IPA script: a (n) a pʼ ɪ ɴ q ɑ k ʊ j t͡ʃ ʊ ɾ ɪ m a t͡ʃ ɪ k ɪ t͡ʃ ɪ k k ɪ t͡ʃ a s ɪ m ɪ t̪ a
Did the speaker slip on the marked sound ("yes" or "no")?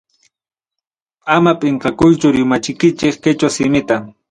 yes